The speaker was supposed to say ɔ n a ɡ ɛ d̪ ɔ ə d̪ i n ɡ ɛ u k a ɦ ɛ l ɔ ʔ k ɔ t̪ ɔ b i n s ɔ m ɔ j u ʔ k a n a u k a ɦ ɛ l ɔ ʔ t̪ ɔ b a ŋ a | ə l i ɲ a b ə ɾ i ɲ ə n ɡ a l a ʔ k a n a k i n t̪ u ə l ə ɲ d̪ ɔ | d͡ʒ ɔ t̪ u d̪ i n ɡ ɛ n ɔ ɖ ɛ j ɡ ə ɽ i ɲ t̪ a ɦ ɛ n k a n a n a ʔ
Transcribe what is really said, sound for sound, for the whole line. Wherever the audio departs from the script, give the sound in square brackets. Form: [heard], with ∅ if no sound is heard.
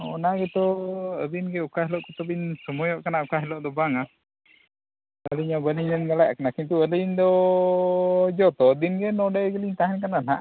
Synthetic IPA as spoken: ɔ n a ɡ ɛ [t̪] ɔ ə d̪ i n ɡ ɛ u k a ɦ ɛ l ɔ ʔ k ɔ t̪ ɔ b i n s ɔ m ɔ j [ɔ] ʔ k a n a u k a ɦ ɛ l ɔ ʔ [d̪] ɔ b a ŋ a | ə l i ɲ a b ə [l] i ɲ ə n ɡ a l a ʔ k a n a k i n t̪ u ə l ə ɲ d̪ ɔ | d͡ʒ ɔ t̪ [ɔ] d̪ i n ɡ ɛ n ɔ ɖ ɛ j ɡ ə [l] i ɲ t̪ a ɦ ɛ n k a n a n a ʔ